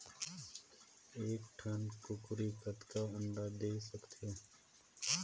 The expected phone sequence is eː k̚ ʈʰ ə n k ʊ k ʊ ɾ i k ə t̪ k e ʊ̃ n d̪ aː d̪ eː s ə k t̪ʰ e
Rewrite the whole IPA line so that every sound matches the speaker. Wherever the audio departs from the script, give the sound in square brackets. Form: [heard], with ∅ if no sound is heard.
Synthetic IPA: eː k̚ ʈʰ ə n k ʊ k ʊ ɾ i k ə t̪ k [a] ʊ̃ n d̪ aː d̪ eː s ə k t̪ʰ e